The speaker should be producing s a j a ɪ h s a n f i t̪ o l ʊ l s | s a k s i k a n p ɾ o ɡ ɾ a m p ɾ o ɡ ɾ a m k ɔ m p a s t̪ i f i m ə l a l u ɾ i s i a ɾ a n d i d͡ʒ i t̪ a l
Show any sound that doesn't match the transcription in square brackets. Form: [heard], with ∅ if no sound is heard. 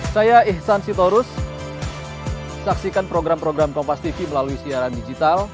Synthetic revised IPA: s a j a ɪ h s a n [s] i t̪ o [ɾ] ʊ [∅] s | s a k s i k a n p ɾ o ɡ ɾ a m p ɾ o ɡ ɾ a m k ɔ m p a s t̪ i f i m ə l a l u [∅] i s i a ɾ a n d i d͡ʒ i t̪ a l